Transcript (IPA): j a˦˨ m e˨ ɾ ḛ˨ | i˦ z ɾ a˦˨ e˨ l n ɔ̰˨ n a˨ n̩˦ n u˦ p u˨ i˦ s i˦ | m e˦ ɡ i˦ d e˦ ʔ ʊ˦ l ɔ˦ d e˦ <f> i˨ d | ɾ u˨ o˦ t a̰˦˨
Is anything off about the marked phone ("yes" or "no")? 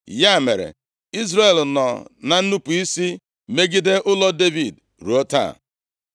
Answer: yes